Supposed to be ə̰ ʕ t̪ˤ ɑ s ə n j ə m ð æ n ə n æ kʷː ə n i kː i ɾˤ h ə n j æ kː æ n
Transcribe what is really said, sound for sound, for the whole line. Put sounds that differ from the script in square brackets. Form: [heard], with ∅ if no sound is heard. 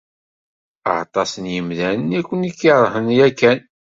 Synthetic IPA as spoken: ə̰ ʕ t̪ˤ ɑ s ə n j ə m ð æ n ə n æ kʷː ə n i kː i ɾˤ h ə n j æ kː æ n